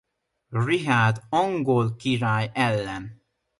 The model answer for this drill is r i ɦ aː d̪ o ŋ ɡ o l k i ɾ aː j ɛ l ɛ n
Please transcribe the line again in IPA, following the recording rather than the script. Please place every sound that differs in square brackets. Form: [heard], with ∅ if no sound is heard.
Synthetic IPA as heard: r i ɦ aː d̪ [ɒ] ŋ ɡ o l k i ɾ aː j ɛ [lː] ɛ n